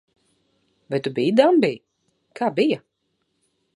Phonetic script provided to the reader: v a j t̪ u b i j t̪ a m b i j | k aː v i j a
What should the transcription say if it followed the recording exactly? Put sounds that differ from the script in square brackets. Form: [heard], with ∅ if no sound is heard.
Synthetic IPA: v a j t̪ u b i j [d̪] a m b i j | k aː [b] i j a